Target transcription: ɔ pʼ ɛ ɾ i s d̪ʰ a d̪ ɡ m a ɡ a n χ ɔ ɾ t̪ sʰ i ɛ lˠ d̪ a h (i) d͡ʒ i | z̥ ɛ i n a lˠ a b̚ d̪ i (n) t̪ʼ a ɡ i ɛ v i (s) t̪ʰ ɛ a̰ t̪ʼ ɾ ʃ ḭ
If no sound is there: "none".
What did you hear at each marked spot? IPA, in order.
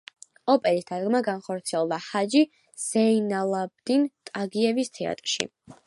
a, n, s

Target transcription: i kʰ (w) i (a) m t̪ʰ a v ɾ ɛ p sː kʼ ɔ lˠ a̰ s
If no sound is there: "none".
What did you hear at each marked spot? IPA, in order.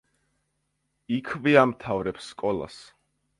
v, a

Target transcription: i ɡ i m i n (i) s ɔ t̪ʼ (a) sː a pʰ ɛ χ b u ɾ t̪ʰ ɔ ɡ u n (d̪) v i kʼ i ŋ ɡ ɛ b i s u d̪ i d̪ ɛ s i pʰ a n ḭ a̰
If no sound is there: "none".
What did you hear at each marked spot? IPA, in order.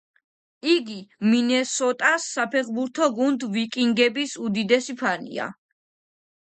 ɛ, a, d̪

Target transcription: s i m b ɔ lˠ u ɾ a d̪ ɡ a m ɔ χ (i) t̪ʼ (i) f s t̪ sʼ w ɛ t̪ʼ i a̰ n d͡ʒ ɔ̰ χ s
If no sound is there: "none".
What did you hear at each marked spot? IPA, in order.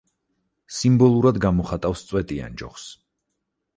a, a

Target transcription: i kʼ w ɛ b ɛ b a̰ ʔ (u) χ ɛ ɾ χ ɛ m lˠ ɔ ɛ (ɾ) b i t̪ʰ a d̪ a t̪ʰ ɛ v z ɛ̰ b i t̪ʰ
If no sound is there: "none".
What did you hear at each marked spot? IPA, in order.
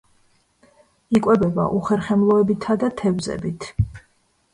u, none

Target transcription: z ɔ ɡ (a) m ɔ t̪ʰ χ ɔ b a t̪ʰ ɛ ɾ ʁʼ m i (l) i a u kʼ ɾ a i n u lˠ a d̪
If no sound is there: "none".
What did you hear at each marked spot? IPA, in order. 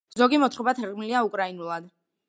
i, l

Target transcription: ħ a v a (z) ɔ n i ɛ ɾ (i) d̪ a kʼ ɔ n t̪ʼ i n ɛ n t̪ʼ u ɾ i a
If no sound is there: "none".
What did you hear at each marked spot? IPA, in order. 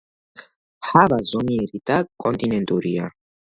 z, i

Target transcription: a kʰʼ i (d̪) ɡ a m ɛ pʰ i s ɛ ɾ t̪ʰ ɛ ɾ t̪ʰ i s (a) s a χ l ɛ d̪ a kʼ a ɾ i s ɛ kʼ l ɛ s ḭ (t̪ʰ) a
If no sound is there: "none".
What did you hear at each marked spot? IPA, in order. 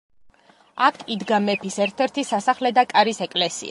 d̪, a, none

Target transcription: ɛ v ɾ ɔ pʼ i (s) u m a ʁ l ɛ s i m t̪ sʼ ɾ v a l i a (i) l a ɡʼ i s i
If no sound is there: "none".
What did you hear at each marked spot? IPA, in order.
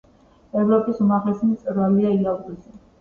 s, i

